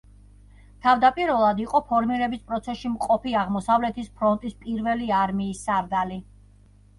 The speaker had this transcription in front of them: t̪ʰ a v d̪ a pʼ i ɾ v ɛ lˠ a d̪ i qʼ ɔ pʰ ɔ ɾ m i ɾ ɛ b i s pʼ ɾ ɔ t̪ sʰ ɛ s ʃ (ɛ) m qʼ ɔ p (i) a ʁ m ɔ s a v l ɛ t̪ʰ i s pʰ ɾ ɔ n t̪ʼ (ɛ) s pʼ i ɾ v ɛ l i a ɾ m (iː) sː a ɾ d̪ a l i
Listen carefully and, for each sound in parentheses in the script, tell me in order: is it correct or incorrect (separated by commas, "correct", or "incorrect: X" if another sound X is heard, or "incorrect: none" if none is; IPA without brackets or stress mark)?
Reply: incorrect: i, correct, incorrect: i, correct